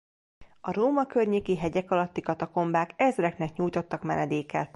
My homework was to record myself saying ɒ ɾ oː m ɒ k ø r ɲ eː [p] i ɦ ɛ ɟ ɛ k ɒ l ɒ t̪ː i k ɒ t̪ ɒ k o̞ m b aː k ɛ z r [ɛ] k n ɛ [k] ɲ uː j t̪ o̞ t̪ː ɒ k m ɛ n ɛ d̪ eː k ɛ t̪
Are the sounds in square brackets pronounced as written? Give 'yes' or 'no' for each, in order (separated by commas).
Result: no, yes, yes